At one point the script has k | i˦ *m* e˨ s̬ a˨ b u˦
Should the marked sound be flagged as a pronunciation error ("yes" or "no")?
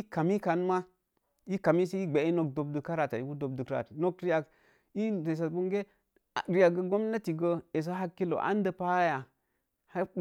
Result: yes